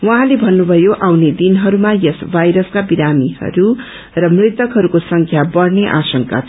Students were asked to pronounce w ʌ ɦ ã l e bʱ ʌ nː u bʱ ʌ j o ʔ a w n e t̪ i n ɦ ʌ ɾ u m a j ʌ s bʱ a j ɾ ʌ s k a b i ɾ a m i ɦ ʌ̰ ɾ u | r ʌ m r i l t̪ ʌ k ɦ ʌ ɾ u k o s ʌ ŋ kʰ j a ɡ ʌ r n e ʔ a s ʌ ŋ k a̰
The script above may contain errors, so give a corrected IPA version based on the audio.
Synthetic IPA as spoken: w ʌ ɦ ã l e bʱ ʌ nː u bʱ ʌ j o ʔ a w n e d̪ i n ɦ ʌ ɾ u m a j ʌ s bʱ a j ɾ ʌ s k a b i ɾ a m i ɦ ʌ̰ ɾ u | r ʌ m r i t̪ ʌ k ɦ ʌ ɾ u k o s ʌ ŋ kʰ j a b ʌ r n e ʔ a s ʌ ŋ k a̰